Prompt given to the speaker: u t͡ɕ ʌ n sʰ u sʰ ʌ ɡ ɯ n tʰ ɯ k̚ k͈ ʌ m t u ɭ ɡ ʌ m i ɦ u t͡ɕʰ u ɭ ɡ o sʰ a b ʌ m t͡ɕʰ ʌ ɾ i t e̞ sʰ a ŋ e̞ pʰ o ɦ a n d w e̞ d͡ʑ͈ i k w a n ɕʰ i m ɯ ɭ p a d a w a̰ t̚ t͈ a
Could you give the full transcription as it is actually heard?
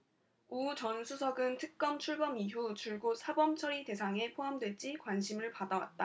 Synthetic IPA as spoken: u t͡ɕ ʌ n sʰ u sʰ ʌ ɡ ɯ n tʰ ɯ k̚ k͈ ʌ m t͡ɕʰ u ɭ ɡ ʌ m i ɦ u t͡ɕʰ u ɭ ɡ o sʰ a b ʌ m t͡ɕʰ ʌ ɾ i t e̞ sʰ a ŋ e̞ pʰ o ɦ a m d w e̞ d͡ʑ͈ i k w a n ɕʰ i m ɯ ɭ p a d a w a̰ t̚ t͈ a